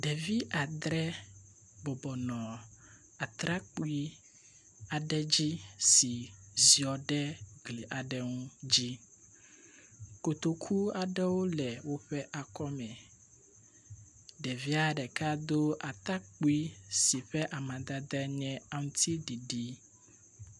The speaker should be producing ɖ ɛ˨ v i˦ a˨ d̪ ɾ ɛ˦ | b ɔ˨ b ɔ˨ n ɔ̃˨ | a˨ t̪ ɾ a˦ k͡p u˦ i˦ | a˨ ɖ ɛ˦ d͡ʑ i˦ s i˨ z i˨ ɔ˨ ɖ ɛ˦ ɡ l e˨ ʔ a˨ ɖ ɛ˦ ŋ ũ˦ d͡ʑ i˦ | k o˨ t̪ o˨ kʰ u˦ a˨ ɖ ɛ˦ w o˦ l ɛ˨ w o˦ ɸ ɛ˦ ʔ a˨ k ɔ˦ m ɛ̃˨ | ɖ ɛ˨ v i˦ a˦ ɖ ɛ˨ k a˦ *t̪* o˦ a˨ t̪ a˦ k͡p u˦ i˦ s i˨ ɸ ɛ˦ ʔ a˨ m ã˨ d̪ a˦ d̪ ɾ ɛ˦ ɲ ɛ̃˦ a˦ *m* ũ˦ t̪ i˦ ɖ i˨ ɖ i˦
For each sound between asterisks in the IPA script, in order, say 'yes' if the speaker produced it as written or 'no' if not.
no, no

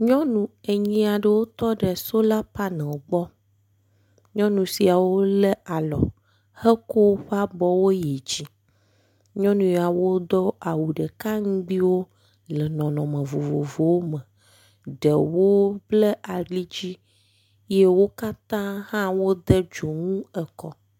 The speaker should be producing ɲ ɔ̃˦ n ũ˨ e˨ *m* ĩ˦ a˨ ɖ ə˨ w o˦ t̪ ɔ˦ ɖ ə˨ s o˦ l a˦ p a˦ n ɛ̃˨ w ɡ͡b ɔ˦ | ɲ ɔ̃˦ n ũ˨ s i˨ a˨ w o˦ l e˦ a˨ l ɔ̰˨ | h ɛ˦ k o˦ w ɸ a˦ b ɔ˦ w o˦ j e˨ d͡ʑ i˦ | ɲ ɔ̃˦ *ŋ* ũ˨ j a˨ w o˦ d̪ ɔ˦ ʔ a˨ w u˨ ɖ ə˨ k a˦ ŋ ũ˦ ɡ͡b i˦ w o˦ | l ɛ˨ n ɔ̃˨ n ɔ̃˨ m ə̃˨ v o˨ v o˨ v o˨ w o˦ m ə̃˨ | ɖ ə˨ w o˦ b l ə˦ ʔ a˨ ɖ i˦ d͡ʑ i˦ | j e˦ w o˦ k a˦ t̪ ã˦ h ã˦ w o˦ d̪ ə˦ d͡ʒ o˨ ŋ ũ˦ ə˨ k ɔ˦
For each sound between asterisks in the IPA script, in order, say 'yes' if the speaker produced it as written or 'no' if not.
no, no

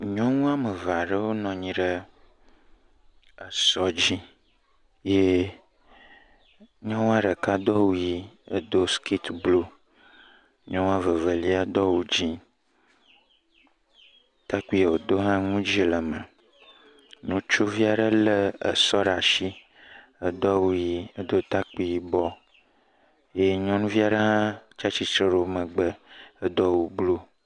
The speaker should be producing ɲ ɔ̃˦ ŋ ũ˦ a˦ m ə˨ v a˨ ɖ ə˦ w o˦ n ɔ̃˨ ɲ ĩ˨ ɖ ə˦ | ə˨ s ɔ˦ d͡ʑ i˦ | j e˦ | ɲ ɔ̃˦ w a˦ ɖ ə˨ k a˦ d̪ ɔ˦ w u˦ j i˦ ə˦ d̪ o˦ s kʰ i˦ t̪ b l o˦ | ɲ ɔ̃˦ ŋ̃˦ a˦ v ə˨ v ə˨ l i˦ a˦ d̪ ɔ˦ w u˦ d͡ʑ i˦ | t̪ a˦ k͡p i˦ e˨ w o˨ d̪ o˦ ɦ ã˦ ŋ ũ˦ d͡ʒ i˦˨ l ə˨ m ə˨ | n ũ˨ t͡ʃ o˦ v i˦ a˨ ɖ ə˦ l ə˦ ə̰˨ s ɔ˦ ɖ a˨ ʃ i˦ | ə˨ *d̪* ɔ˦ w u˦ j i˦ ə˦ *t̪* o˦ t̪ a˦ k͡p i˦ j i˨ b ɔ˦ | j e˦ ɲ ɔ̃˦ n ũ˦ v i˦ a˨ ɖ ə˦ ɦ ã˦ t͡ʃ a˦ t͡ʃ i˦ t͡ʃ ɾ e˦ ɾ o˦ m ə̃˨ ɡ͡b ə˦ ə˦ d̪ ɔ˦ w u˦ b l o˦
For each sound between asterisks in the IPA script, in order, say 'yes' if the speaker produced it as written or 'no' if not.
yes, no

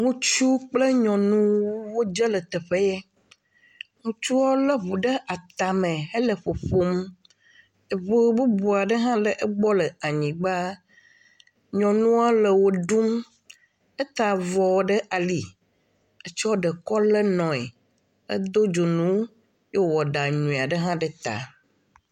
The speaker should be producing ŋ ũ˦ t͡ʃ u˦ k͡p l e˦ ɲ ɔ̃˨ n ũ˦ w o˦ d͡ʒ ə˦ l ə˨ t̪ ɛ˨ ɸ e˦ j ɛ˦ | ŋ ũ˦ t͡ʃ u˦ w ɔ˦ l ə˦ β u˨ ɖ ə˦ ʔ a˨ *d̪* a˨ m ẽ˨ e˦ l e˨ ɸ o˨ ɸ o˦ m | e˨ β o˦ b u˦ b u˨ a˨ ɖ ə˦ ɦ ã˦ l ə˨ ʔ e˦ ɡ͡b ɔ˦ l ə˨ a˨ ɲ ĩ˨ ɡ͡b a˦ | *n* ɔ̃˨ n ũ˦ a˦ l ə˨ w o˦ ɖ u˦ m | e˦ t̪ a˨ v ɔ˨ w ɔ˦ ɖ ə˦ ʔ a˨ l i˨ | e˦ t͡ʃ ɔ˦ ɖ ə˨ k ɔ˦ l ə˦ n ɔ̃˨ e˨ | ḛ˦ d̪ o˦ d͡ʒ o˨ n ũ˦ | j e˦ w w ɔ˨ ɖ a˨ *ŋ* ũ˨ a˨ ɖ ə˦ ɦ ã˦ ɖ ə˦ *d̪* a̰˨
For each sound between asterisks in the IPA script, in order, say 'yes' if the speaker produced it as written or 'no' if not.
no, no, no, no

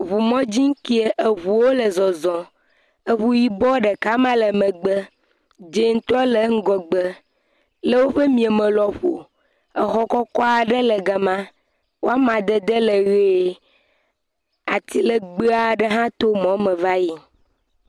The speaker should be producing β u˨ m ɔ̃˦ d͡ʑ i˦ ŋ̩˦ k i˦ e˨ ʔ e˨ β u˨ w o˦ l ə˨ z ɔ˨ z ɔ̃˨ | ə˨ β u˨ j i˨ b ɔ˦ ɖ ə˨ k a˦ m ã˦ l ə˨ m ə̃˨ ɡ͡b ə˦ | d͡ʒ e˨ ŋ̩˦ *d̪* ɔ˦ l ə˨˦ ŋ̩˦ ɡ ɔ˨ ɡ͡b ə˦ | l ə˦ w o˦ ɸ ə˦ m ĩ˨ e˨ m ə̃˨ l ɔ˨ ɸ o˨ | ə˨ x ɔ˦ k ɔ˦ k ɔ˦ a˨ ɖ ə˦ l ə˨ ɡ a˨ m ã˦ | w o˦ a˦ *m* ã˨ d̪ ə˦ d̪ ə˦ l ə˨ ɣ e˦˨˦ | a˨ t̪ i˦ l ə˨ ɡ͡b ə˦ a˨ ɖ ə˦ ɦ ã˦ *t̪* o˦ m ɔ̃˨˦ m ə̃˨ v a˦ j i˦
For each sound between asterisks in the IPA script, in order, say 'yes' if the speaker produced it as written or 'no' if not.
no, yes, yes

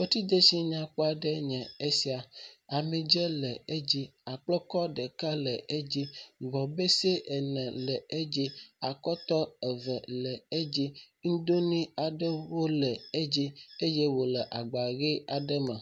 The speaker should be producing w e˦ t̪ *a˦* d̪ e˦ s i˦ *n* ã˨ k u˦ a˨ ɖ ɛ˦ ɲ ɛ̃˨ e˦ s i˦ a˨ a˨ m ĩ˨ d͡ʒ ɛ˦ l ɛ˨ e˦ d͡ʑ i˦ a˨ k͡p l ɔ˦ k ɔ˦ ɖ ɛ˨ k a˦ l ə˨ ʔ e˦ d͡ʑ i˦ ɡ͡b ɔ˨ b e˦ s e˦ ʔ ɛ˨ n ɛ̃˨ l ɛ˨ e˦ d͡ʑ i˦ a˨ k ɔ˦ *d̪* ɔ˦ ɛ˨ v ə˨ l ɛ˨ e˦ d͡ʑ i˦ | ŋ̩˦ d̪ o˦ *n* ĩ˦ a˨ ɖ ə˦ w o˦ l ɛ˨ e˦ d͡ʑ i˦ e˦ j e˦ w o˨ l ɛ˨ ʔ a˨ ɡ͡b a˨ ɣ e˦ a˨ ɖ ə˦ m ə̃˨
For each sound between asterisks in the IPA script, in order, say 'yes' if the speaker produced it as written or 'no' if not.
no, no, no, yes

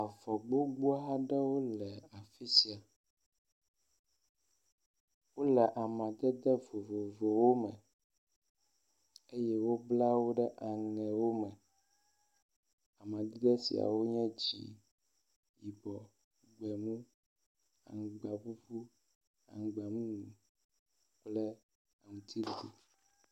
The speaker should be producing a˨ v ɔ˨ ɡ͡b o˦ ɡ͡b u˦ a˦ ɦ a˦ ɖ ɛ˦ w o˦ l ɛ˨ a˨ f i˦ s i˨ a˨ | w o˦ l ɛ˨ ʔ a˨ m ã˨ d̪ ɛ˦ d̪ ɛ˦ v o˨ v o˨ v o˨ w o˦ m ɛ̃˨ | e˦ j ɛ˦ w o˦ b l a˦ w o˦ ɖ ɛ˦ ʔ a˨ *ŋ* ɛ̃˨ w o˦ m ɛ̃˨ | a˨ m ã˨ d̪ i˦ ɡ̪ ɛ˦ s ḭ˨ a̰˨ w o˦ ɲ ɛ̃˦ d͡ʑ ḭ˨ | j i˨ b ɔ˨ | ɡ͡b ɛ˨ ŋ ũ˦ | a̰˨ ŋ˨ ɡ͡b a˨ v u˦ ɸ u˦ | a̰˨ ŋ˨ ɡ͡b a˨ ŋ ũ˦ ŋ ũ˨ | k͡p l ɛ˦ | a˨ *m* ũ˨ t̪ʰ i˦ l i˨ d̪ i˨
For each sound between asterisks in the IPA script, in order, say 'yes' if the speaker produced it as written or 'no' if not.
yes, no

